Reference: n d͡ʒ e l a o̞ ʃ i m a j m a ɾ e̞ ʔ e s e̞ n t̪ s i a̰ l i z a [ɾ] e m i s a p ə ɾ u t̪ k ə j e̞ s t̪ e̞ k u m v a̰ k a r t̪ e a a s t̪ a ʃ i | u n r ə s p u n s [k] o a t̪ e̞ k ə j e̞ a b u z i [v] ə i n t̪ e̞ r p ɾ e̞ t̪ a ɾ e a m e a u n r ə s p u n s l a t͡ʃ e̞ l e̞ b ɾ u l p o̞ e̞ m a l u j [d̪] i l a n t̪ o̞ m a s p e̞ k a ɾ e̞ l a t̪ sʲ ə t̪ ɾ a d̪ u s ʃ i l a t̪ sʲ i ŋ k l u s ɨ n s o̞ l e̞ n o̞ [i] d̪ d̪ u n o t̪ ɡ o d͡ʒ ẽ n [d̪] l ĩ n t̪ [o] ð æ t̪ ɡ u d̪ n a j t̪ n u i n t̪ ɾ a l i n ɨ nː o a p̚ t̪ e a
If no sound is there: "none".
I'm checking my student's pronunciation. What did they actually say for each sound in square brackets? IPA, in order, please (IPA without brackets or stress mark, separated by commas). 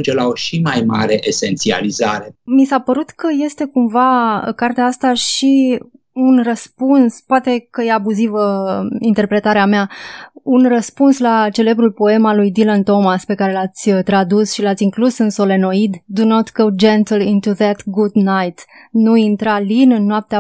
ɾ, p, v, d̪, i, t̪, u